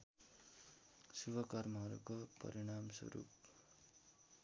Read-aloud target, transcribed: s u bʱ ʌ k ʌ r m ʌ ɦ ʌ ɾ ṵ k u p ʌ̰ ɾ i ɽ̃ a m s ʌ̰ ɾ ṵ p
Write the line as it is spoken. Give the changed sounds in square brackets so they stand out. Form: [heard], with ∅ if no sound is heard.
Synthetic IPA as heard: s u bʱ ʌ k ʌ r m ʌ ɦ ʌ ɾ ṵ k [o] p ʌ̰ ɾ i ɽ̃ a m s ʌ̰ ɾ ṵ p

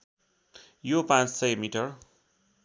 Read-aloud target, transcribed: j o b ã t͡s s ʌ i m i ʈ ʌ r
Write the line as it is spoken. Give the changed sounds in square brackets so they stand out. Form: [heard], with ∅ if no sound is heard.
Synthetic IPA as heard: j o [p] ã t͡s s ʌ [j] m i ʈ ʌ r

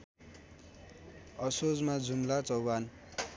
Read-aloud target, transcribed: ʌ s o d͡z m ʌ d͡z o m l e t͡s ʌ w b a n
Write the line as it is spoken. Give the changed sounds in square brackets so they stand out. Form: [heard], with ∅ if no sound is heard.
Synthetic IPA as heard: ʌ s o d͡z m [a] d͡z [u] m l [a] t͡s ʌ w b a n

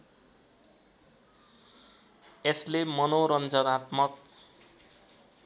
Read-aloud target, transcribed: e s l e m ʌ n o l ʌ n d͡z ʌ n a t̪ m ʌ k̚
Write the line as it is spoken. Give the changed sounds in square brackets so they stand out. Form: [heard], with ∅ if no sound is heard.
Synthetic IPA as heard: e s l e m ʌ n o [ɾ] ʌ n d͡z ʌ n a t̪ m ʌ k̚

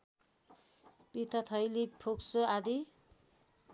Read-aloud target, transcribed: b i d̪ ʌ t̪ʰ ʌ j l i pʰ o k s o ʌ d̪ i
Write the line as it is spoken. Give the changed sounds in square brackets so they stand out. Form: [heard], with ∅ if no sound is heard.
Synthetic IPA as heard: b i [t̪] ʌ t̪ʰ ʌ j l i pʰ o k s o [a] d̪ i

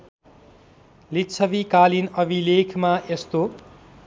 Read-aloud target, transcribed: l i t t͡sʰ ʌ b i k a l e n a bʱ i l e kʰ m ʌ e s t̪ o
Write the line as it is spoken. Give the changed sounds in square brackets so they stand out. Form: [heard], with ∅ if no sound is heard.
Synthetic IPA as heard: l i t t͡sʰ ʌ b i k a l [i] n [ʌ] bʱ i l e kʰ m [a] e s t̪ o

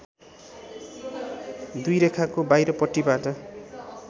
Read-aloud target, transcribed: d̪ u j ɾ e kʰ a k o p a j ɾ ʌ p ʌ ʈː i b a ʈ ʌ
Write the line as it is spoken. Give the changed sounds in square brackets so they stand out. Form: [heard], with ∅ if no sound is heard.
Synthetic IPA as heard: d̪ u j ɾ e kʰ a k o [b] a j ɾ ʌ p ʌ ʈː i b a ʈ ʌ

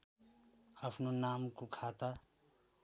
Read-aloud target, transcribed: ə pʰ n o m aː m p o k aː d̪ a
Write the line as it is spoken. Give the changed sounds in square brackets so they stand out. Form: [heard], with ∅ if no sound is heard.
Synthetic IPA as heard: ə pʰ n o [n] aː m [k] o [kʰ] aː [t̪] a

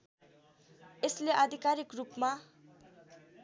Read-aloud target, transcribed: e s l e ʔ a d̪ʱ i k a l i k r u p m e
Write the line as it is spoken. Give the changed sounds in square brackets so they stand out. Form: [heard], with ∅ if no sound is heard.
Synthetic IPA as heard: e s l e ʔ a d̪ʱ i k a [ɾ] i k r u p m [a]

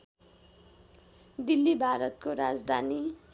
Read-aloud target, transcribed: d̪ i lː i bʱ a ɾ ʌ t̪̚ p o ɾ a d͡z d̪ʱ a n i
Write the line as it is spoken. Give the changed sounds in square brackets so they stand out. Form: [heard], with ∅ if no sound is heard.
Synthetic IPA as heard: d̪ i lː i bʱ a ɾ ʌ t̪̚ [k] o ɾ a d͡z d̪ʱ a n i

